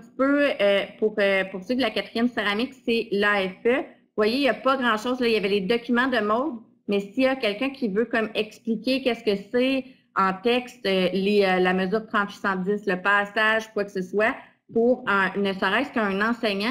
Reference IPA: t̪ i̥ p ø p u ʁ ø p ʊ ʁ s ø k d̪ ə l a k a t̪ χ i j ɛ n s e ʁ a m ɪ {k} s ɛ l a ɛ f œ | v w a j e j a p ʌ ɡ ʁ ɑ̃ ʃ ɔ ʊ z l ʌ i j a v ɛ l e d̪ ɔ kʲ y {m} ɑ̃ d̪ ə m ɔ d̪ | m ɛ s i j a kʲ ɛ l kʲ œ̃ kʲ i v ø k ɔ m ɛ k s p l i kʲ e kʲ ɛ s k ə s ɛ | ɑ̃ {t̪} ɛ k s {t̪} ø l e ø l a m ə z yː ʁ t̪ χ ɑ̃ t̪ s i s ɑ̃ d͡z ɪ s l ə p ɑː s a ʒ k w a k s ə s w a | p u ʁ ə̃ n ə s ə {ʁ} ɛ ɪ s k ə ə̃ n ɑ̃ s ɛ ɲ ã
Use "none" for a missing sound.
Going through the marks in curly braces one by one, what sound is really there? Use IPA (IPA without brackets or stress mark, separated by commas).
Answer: k, m, t̪, t̪, ʁ